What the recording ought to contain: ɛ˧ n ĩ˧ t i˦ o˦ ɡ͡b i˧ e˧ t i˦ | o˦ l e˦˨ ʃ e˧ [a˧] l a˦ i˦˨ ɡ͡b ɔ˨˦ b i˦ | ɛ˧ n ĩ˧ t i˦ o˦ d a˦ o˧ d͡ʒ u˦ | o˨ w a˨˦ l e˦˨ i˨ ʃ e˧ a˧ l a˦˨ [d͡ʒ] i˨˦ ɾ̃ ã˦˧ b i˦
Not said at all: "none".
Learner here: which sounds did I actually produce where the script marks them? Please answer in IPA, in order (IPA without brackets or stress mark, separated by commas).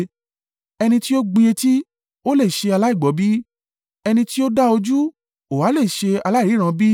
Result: a˧, none